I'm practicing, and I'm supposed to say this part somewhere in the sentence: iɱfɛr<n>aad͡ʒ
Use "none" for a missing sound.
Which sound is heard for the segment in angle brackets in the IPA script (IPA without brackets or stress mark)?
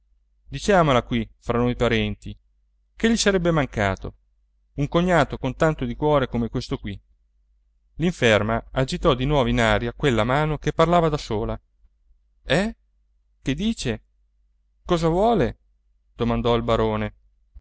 m